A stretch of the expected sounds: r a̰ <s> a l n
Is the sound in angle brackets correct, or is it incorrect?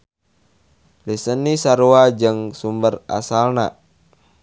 correct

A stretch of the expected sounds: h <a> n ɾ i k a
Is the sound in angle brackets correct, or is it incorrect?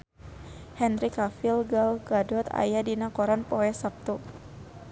incorrect: ɛ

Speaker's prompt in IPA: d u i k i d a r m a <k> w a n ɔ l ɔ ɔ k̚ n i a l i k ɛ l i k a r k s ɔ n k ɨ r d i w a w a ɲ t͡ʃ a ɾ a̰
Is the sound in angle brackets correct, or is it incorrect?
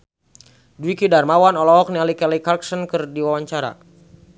incorrect: none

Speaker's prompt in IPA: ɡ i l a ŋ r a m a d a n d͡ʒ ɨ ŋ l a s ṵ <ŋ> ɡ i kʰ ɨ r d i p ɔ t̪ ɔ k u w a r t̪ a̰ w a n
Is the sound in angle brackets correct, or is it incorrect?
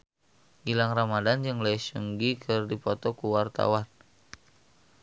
correct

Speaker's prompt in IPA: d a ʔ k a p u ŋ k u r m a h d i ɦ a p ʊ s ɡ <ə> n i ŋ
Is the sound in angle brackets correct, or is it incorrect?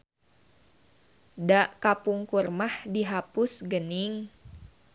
correct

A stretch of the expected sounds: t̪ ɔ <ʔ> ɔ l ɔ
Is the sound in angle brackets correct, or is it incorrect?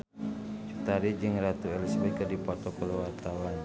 incorrect: k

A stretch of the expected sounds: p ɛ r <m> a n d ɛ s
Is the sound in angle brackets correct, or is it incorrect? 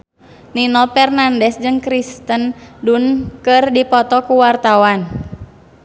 incorrect: n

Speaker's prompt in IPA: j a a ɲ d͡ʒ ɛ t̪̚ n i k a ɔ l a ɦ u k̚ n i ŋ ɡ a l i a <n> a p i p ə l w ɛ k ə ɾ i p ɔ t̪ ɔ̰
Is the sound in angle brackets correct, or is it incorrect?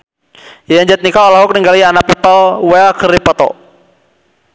correct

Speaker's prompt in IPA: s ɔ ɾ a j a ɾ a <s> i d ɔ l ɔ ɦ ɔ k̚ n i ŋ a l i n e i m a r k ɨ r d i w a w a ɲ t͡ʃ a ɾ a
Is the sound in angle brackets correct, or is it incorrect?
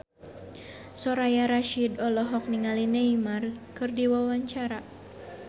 incorrect: ʃ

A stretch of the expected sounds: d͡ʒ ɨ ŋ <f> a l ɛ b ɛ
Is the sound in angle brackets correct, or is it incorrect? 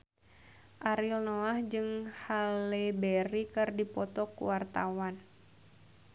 incorrect: h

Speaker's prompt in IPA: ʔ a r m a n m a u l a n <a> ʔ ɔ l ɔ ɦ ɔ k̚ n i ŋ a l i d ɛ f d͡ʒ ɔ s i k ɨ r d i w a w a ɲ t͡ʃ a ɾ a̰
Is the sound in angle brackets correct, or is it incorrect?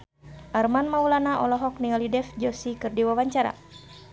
correct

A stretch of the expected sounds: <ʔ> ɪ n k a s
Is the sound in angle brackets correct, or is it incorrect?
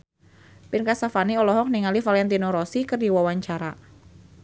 incorrect: p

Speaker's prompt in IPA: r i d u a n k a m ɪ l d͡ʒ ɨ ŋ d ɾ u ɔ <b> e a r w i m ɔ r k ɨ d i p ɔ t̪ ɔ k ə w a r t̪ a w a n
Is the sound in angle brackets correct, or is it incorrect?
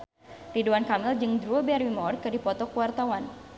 correct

